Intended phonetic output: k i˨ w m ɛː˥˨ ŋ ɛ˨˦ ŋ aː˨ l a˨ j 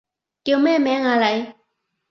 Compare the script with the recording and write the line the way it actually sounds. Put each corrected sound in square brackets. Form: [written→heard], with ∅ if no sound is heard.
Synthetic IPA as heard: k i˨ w m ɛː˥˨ [ŋ→m] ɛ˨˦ ŋ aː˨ l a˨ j